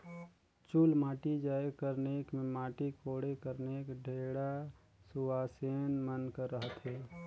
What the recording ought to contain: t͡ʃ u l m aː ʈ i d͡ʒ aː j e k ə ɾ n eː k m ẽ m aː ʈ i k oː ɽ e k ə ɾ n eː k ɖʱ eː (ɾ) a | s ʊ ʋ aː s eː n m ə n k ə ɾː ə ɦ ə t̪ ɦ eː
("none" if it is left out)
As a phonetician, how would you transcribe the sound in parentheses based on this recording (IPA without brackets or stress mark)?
ɽ